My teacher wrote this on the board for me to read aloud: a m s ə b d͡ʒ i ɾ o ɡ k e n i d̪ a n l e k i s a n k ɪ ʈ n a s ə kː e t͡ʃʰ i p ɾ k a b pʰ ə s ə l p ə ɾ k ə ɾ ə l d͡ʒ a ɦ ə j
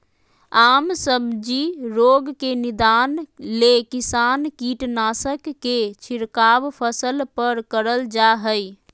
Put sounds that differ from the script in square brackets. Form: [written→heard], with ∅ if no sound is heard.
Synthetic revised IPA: a m s ə b d͡ʒ i ɾ o ɡ k e n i d̪ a n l e k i s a n k [ɪ→i] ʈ n a s ə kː e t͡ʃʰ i [p→∅] ɾ k a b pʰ ə s ə l p ə ɾ k ə ɾ ə l d͡ʒ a ɦ ə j